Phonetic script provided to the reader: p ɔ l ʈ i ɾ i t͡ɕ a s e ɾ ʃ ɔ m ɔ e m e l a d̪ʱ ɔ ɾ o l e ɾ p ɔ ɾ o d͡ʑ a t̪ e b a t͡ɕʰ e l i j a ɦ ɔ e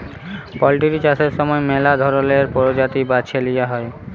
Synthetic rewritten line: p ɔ l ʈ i ɾ i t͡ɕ a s e ɾ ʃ ɔ m ɔ e m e l a d̪ʱ ɔ ɾ o l e ɾ p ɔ ɾ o d͡ʑ a t̪ i b a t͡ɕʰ e l i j a ɦ ɔ e